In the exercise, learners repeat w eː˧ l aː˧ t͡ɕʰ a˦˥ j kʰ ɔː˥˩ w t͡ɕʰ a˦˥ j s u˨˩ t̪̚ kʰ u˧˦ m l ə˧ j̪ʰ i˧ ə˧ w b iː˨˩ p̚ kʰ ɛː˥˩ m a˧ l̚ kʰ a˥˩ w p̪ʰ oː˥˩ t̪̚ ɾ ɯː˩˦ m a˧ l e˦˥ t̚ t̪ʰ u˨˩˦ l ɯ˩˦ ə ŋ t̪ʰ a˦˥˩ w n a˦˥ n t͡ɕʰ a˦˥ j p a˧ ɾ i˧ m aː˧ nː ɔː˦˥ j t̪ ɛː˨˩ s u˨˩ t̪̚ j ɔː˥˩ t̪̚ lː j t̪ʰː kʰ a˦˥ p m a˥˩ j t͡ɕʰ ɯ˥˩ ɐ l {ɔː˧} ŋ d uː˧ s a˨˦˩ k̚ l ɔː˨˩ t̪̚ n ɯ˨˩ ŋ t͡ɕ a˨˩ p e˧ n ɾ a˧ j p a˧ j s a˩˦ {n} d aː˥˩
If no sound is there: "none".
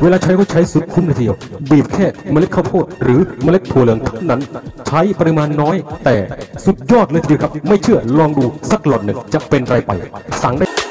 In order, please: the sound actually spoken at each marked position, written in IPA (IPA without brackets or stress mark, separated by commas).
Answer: ɔː˧, ŋ